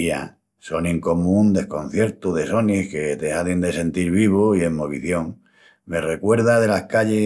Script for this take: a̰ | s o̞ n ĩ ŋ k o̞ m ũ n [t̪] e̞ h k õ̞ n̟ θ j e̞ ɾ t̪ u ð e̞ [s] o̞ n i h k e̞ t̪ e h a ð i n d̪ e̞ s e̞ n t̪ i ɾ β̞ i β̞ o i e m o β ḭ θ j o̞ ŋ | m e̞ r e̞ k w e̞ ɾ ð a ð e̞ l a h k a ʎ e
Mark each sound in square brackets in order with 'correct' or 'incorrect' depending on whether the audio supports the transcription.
incorrect, correct

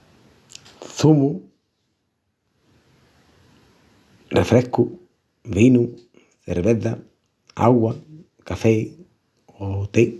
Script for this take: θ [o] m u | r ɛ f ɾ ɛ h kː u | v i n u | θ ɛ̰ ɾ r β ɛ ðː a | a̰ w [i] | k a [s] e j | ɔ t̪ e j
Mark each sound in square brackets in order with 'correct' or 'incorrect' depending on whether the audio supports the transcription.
incorrect, incorrect, incorrect

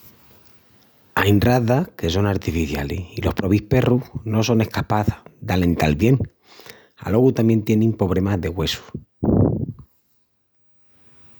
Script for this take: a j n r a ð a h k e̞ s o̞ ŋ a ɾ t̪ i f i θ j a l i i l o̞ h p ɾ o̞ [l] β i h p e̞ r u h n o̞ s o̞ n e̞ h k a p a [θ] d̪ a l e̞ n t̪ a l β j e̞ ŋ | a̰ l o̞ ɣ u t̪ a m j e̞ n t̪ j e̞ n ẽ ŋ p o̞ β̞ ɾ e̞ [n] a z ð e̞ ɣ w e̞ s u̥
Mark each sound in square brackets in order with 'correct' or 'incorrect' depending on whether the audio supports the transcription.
incorrect, correct, incorrect

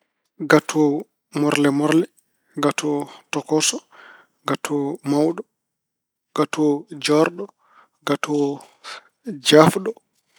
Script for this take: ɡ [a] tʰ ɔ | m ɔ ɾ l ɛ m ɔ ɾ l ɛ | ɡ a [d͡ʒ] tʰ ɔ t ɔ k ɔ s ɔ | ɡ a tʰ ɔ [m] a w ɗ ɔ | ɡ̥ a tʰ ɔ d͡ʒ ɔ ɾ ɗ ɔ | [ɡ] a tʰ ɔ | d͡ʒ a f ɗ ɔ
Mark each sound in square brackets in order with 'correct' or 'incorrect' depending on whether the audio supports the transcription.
correct, incorrect, correct, correct

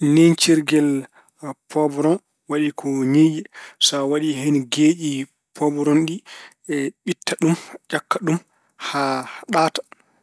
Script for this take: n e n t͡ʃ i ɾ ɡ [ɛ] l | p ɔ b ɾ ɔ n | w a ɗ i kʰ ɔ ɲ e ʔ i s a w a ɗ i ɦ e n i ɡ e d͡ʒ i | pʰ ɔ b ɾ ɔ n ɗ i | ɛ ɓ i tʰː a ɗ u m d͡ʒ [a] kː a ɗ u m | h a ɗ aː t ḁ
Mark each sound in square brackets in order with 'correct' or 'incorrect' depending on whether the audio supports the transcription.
correct, correct

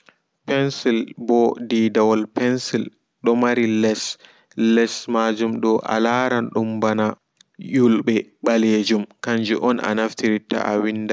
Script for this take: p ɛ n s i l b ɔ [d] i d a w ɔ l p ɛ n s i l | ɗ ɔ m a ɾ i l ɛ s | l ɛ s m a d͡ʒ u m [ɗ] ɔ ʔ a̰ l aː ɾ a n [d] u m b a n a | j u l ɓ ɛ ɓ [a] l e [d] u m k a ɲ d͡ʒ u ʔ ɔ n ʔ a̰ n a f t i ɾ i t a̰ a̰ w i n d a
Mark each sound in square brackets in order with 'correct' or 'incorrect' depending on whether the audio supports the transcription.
correct, correct, incorrect, correct, incorrect

